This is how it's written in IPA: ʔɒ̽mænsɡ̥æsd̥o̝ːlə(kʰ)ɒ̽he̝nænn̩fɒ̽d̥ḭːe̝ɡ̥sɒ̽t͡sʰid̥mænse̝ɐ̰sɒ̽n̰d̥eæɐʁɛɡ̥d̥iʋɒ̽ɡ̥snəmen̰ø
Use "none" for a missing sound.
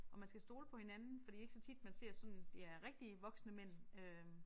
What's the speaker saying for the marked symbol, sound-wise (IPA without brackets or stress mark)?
pʰ